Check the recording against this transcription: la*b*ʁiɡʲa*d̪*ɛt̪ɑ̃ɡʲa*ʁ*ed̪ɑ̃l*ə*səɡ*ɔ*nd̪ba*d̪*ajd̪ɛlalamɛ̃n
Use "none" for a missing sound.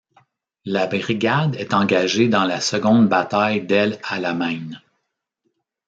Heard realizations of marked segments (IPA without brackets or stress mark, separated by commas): b, d̪, ʒ, a, ɔ̃, t̪